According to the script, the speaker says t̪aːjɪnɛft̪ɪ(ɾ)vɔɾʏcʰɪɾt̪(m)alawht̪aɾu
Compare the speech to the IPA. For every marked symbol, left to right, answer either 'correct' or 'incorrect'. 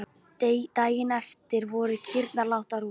correct, incorrect: n

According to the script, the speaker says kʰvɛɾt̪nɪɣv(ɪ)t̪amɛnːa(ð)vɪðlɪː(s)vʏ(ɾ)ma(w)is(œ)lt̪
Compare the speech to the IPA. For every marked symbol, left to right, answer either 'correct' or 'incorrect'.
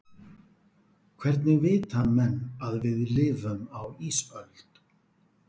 incorrect: ɪː, correct, incorrect: none, incorrect: none, correct, correct

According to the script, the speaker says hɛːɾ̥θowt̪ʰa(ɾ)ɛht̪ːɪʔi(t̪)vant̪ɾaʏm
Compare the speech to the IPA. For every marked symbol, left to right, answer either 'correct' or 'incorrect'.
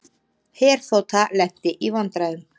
incorrect: l, incorrect: none

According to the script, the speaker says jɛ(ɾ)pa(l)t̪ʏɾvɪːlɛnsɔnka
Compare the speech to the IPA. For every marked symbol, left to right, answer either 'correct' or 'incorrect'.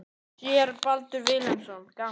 correct, correct

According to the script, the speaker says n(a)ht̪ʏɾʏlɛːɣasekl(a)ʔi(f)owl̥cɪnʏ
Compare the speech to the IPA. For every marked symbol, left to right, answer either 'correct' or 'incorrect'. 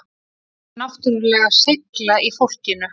correct, correct, correct

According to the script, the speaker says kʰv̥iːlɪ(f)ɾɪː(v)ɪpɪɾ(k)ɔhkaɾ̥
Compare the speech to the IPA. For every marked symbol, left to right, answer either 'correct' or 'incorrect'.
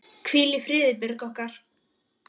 correct, incorrect: ð, correct

